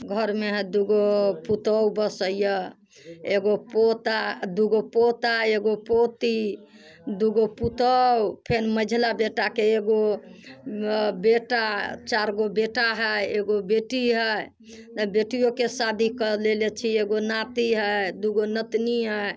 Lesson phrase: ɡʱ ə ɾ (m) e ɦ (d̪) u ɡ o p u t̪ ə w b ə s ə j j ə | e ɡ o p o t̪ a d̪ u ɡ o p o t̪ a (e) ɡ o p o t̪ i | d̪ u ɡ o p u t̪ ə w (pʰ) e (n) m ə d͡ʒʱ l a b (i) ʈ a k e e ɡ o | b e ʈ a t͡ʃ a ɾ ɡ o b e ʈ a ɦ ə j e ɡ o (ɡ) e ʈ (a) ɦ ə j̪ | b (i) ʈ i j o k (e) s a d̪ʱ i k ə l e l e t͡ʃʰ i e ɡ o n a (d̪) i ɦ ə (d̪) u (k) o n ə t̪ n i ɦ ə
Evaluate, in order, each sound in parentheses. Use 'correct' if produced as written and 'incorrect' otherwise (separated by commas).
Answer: correct, correct, correct, correct, correct, incorrect, incorrect, incorrect, incorrect, correct, incorrect, correct, incorrect